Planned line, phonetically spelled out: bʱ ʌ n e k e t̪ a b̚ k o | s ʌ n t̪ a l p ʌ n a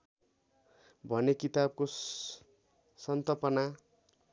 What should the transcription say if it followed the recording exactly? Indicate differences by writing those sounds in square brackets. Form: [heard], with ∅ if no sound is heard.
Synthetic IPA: bʱ ʌ n e k [i] t̪ a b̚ k o | s ʌ n t̪ [ʌ] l p ʌ n a